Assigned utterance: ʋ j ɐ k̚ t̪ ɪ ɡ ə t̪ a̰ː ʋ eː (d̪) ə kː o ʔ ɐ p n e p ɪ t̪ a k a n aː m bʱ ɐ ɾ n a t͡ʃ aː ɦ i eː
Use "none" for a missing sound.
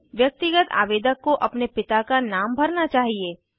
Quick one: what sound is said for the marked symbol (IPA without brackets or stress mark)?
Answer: d̪